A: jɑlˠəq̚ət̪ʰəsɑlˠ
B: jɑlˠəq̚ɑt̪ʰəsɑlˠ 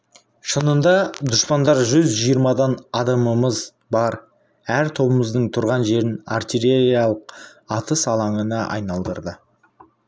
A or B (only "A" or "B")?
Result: B